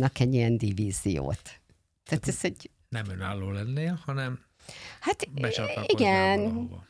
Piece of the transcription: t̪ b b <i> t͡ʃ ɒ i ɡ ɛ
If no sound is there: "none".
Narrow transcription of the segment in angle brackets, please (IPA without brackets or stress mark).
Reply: ɛ